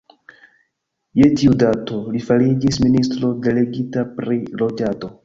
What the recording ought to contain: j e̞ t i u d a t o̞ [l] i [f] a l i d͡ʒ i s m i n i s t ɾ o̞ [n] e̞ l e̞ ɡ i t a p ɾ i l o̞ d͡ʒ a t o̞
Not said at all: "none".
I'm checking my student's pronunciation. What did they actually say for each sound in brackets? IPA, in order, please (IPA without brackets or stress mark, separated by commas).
l, f, d